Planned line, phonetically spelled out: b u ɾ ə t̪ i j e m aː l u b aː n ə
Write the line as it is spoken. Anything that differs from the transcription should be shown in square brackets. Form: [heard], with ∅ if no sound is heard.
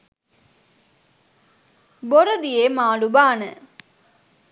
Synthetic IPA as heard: b [o] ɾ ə [d̪] i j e m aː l u b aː n ə